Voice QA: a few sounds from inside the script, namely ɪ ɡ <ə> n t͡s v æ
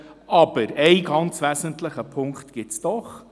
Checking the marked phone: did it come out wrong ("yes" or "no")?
yes